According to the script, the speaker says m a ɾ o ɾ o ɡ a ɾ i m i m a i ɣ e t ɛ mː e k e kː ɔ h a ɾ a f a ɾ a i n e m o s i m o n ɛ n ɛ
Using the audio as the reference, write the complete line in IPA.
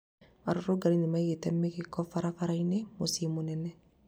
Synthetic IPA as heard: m a ɾ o ɾ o ɡ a ɾ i n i m a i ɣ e t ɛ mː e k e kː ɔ f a ɾ a f a ɾ a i n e m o s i m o n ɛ n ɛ